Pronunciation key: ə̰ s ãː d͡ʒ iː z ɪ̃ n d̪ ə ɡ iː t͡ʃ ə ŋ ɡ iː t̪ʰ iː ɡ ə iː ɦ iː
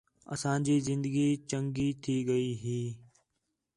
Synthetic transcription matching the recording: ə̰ s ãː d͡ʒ iː z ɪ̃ n d̪ ə ɡ iː t͡ʃ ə ŋ ɡ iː t̪ʰ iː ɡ ə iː ɦ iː